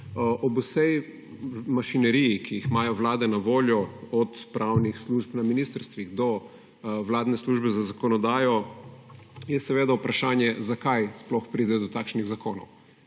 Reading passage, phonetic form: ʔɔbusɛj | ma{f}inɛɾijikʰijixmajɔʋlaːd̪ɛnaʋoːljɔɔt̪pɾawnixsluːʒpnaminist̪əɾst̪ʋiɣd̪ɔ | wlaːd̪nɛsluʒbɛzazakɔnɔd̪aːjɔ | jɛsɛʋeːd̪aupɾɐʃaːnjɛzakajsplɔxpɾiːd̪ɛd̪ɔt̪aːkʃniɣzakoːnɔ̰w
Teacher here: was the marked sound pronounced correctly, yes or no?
no